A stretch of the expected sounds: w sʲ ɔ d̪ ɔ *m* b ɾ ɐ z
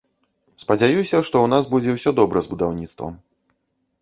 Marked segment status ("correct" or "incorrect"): incorrect